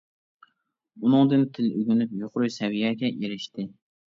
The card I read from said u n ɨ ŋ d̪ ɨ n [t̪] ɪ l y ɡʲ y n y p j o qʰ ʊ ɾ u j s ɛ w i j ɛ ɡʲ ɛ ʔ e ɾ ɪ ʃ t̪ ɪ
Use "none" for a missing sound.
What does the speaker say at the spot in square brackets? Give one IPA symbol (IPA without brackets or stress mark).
t̪ʰ